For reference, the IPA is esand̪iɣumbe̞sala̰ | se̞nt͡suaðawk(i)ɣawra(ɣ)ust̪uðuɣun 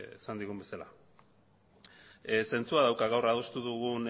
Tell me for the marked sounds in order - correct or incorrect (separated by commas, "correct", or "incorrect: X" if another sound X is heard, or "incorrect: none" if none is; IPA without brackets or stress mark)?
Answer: incorrect: a, incorrect: ð